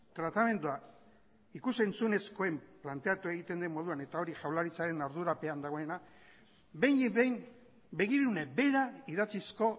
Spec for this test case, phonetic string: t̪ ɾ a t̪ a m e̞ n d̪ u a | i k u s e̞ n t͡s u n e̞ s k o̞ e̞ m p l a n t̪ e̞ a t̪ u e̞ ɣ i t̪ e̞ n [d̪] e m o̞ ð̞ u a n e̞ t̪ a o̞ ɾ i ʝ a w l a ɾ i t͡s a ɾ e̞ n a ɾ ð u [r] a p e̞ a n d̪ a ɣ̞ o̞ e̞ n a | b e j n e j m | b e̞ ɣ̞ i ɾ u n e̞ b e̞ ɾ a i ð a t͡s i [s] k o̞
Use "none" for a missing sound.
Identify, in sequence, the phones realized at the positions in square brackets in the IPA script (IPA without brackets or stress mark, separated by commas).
d̪, ɾ, s